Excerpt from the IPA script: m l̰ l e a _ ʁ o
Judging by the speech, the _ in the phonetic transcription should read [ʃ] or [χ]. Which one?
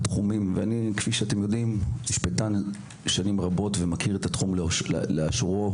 ʃ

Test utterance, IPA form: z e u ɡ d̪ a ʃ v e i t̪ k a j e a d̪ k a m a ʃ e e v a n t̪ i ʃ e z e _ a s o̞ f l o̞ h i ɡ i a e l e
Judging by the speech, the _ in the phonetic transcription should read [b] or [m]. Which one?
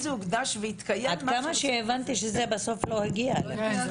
b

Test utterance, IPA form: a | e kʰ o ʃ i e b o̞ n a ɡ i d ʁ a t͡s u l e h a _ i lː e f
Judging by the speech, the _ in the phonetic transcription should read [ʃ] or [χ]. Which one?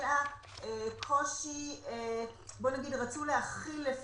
χ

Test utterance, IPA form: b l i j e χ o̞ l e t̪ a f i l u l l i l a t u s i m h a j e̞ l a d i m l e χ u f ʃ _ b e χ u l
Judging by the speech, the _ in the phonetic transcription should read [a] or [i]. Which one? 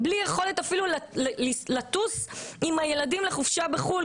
a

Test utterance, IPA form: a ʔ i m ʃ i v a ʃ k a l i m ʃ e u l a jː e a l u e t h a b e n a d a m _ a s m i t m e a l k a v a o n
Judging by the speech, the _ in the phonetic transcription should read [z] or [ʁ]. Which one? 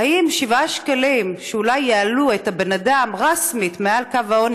ʁ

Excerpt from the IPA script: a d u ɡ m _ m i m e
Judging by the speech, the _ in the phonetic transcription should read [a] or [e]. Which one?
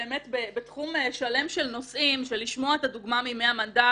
a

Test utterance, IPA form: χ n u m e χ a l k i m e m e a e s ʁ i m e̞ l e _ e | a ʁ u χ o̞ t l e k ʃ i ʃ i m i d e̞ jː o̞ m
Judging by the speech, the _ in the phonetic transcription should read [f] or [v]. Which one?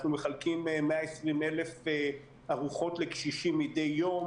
f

